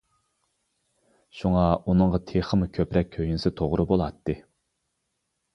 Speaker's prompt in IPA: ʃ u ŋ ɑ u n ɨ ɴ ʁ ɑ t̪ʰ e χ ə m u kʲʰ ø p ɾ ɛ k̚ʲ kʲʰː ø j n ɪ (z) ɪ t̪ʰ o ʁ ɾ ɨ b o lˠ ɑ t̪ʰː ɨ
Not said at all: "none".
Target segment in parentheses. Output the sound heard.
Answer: s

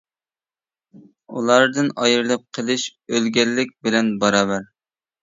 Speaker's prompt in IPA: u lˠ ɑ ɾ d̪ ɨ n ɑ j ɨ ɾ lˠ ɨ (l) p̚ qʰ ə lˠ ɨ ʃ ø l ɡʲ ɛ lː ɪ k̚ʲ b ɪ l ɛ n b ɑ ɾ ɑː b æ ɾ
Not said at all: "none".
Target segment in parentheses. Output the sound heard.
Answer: none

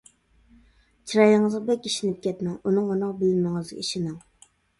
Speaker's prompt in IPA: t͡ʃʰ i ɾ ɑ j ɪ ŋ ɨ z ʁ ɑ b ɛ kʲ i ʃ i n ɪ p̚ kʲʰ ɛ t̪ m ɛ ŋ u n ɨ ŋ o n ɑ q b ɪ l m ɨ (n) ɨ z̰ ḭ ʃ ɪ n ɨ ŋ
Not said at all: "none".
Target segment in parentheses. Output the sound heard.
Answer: ŋ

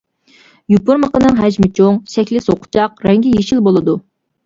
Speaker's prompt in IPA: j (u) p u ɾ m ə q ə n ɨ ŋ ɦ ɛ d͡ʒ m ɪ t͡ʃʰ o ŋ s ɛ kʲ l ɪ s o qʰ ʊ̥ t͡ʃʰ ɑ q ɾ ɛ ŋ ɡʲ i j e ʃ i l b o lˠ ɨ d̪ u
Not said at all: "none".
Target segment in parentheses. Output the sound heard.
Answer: u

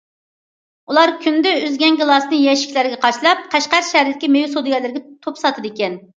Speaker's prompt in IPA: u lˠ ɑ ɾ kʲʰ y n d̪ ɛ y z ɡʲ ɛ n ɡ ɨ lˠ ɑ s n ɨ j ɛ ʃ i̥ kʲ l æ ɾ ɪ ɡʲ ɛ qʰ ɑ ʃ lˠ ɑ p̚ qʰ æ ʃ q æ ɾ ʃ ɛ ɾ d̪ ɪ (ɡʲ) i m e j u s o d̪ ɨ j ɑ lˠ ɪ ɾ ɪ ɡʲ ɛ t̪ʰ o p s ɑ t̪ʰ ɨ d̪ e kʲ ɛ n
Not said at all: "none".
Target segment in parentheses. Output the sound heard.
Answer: kʲ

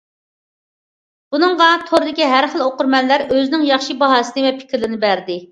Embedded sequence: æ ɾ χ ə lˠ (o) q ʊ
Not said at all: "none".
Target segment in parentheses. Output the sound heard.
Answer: o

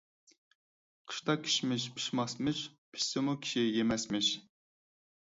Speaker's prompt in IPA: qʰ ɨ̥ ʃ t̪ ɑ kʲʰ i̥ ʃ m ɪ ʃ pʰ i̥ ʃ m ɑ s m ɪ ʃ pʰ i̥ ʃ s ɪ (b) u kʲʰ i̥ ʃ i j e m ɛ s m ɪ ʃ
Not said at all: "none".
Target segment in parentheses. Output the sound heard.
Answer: m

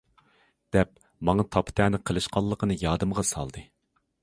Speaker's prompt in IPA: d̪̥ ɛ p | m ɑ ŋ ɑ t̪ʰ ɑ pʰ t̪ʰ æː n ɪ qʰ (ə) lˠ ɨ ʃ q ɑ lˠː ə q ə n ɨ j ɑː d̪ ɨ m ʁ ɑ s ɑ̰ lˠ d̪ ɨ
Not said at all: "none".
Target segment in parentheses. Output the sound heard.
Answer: ə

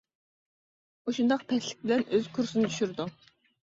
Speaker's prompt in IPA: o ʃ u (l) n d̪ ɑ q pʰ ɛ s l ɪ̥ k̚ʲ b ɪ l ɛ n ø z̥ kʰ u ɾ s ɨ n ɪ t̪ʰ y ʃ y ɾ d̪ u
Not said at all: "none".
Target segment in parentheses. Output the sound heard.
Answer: none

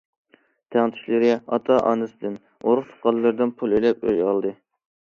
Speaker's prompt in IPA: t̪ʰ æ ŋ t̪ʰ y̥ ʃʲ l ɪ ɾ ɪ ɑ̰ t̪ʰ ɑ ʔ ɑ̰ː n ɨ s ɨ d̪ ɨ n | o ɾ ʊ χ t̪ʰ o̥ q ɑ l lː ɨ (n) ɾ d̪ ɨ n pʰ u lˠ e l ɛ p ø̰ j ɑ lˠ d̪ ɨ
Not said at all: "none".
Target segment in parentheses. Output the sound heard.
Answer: none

